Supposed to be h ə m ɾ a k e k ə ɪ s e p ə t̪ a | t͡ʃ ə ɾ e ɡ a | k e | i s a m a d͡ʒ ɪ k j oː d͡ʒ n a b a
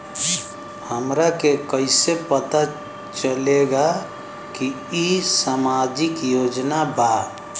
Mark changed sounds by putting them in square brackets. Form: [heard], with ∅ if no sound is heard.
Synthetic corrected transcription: h ə m ɾ a k e k ə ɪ s e p ə t̪ a | t͡ʃ ə [l] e ɡ a | k [i] | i s a m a d͡ʒ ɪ k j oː d͡ʒ n a b a